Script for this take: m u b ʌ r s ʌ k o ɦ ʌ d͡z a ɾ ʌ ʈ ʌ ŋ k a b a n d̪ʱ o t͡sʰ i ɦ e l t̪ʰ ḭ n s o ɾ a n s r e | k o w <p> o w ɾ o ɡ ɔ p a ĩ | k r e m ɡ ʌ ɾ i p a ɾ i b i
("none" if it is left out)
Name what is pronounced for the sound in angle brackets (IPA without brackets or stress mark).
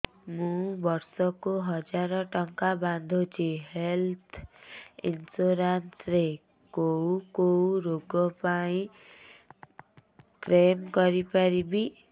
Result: k